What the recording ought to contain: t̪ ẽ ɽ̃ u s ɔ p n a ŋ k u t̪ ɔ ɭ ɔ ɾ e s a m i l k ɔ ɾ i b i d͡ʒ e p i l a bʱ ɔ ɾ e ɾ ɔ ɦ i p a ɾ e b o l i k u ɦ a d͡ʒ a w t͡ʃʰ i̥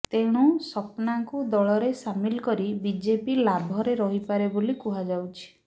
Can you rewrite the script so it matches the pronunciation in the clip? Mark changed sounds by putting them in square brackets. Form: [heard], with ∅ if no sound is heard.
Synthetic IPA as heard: t̪ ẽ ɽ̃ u s ɔ p n a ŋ k u [d̪] ɔ ɭ ɔ ɾ e s a m i l k ɔ ɾ i b i d͡ʒ e p i l a bʱ ɔ ɾ e ɾ ɔ ɦ i p a ɾ e b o l i k u ɦ a d͡ʒ a w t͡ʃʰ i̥